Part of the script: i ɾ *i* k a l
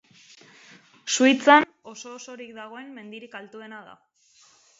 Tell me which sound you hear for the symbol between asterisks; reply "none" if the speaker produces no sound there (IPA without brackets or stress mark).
i